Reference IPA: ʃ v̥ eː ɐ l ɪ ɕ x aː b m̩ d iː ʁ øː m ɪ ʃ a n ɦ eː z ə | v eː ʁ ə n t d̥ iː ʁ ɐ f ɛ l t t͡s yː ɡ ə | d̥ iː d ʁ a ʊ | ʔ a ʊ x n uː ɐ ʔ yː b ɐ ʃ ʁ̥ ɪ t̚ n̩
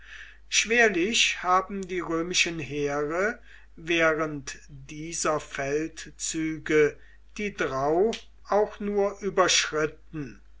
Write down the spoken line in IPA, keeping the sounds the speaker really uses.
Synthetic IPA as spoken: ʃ v̥ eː ɐ l ɪ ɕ h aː b m̩ d iː ʁ øː m ɪ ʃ ə n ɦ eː ʁ ə | v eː ʁ ə n t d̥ iː z ɐ f ɛ l t t͡s yː ɡ ə | d̥ iː d ʁ a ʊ | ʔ a ʊ x n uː ɐ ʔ yː b ɐ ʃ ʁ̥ ɪ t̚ n̩

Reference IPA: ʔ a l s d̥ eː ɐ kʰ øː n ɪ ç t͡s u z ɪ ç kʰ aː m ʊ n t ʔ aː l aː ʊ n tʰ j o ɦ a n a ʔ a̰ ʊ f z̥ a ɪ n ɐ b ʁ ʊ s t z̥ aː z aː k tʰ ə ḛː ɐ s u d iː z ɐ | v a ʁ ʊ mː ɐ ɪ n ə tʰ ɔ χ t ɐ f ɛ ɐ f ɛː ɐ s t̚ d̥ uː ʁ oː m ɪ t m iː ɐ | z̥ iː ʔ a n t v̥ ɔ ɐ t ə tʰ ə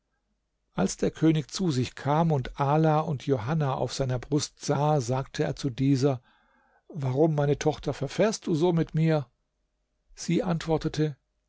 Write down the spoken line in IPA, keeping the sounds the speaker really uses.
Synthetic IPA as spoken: ʔ a l s d̥ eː ɐ kʰ øː n ɪ ç t͡s u z ɪ ç kʰ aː m ʊ n t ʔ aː l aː ʊ n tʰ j o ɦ a n a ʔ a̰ ʊ f z̥ a ɪ n ɐ b ʁ ʊ s t z̥ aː z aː k tʰ ə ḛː ɐ t͡s u d iː z ɐ | v a ʁ ʊ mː a ɪ n ə tʰ ɔ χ t ɐ f ɛ ɐ f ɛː ɐ s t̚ d̥ uː z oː m ɪ t m iː ɐ | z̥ iː ʔ a n t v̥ ɔ ɐ t ə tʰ ə

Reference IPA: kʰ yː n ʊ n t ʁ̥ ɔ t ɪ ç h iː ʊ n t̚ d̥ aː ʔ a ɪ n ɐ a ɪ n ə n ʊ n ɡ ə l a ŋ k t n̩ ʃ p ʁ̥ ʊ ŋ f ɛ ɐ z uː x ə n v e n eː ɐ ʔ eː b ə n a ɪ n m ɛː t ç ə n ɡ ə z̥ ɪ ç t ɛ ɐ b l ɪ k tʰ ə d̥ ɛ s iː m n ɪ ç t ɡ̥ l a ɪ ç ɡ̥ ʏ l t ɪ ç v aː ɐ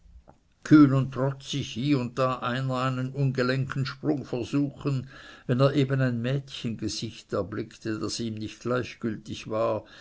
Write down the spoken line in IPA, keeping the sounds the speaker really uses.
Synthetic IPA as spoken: kʰ yː n ʊ n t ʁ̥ ɔ t͡s ɪ ç h iː ʊ n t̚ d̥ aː ʔ a ɪ n ɐ a ɪ n ə n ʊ n ɡ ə l ɛ ŋ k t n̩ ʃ p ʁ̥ ʊ ŋ f ɛ ɐ z uː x ə n v ɛ n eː ɐ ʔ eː b ə n a ɪ n m ɛː t ç ə n ɡ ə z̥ ɪ ç t ɛ ɐ b l ɪ k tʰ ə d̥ a s iː m n ɪ ç t ɡ̥ l a ɪ ç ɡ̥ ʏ l t ɪ ç v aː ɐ

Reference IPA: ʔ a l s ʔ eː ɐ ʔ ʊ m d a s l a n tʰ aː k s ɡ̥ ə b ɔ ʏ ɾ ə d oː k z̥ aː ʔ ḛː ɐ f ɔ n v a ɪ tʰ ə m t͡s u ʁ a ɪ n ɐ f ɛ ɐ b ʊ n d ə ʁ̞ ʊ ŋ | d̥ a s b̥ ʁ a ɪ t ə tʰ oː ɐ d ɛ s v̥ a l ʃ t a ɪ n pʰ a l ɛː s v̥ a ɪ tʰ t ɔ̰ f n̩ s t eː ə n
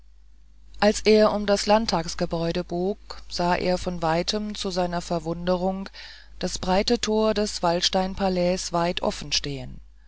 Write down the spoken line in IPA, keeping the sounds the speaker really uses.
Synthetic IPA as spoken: ʔ a l s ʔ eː ɐ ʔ ʊ m d a s l a n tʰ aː k s ɡ̥ ə b ɔ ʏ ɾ ə b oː k z̥ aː ʔ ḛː ɐ f ɔ n v a ɪ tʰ ə m t͡s u z a ɪ n ɐ f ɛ ɐ v ʊ n d ə ʁ̞ ʊ ŋ | d̥ a s b̥ ʁ a ɪ t ə tʰ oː ɐ d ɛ s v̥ a l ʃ t a ɪ n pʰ a l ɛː s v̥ a ɪ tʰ ʔ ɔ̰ f n̩ ʃ t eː ə n

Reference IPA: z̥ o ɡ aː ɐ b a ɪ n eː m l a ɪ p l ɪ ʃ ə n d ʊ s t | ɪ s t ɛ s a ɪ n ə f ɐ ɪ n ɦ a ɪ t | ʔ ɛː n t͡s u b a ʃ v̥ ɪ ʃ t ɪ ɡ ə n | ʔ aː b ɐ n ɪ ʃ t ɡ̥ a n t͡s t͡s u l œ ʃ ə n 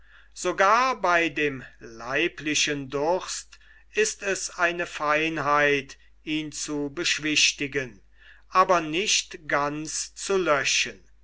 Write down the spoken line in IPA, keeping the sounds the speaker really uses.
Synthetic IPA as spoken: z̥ o ɡ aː ɐ b a ɪ d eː m l a ɪ p l ɪ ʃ ə n d ʊ s t | ɪ s t ɛ s a ɪ n ə f a ɪ n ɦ a ɪ t | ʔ iː n t͡s u b ə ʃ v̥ ɪ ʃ t ɪ ɡ ə n | ʔ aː b ɐ n ɪ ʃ t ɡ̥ a n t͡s t͡s u l œ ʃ ə n

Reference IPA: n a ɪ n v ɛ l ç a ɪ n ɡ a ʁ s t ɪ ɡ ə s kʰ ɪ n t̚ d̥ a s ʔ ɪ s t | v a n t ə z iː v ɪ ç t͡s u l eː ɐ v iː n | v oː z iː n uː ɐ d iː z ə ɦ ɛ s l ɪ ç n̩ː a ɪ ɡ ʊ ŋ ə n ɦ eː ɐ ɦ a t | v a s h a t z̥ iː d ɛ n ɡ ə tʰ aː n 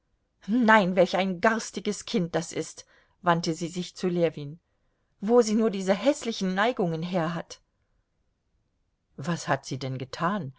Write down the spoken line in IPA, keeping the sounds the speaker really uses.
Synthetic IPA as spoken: n a ɪ n v ɛ l ç a ɪ n ɡ a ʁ s t ɪ ɡ ə s kʰ ɪ n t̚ d̥ a s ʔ ɪ s t | v a n t ə z iː z ɪ ç t͡s u l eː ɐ v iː n | v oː z iː n uː ɐ d iː z ə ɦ ɛ s l ɪ ç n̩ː a ɪ ɡ ʊ ŋ ə n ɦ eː ɐ ɦ a t | v a s h a t z̥ iː d ɛ n ɡ ə tʰ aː n

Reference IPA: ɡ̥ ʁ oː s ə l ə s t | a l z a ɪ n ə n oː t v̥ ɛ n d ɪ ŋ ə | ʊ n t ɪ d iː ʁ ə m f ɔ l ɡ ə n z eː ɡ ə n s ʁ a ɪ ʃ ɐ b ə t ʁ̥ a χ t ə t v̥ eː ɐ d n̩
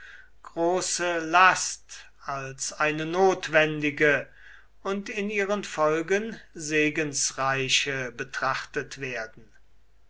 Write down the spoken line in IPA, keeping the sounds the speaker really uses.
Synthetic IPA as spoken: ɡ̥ ʁ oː s ə l a s t | a l s a ɪ n ə n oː t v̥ ɛ n d ɪ ɡ ə | ʊ n t ɪ n iː ʁ ə n f ɔ l ɡ ə n z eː ɡ ə n s ʁ a ɪ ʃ ə b ə t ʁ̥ a χ t ə t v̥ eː ɐ d n̩

